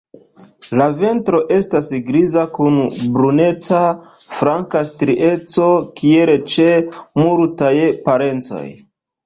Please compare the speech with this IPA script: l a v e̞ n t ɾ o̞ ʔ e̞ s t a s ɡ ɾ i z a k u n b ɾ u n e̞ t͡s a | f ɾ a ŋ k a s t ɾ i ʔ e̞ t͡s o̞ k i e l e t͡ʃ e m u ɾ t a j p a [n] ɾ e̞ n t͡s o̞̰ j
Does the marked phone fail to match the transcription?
yes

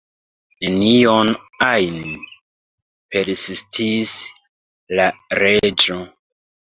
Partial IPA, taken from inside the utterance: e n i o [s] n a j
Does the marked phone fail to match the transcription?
yes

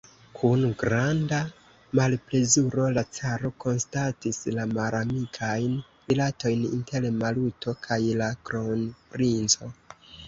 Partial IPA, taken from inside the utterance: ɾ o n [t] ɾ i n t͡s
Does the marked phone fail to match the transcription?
yes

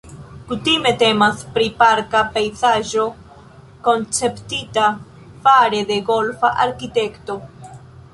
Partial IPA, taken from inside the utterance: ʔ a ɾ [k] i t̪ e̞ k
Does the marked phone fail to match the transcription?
no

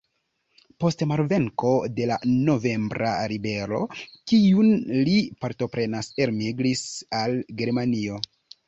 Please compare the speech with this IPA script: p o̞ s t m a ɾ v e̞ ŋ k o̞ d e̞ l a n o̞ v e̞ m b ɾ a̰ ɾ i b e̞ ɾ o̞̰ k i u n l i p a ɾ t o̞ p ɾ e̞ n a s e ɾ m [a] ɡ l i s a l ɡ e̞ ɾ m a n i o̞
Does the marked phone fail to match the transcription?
yes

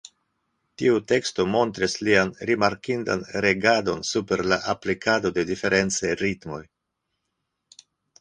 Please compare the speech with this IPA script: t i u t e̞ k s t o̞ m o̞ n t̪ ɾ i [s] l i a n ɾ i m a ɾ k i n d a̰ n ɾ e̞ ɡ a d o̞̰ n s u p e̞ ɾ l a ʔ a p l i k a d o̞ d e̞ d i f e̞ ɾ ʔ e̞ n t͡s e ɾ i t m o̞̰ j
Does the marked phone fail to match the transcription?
no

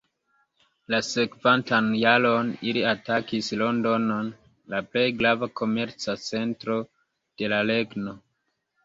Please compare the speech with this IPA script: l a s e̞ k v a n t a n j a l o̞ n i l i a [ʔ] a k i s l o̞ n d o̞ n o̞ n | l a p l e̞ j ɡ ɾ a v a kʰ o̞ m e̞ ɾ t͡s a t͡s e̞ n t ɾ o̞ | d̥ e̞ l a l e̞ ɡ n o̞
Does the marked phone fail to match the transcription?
yes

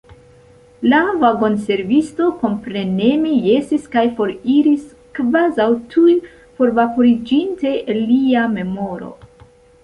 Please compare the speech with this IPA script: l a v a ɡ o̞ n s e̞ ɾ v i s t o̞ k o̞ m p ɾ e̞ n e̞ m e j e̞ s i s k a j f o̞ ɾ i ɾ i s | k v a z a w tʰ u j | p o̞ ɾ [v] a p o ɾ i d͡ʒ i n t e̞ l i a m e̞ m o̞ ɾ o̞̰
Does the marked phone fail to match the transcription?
no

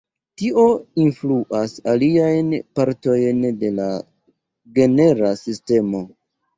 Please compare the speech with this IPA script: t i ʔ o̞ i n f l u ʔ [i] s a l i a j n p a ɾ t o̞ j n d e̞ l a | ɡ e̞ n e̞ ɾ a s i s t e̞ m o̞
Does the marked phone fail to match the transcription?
yes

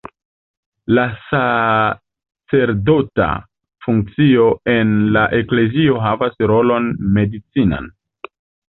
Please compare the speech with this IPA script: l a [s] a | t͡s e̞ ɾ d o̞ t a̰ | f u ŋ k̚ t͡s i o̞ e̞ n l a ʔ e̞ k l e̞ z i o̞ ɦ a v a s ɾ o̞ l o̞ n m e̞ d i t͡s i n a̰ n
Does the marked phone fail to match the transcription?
no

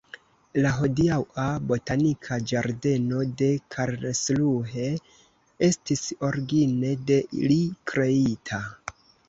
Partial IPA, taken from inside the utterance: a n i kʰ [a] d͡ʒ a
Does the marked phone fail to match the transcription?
no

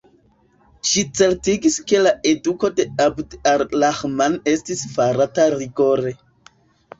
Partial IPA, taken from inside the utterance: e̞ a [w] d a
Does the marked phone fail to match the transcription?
yes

